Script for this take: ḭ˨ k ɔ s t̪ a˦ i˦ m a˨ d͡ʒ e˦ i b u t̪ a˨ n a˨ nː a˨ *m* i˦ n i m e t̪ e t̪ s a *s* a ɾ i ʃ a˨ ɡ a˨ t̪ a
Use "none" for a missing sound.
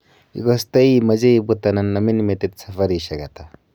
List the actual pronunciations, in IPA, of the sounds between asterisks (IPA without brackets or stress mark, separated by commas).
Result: m, f